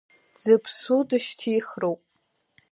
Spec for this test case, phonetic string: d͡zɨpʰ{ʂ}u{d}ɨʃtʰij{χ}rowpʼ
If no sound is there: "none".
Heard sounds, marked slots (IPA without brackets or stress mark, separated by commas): s, d, χ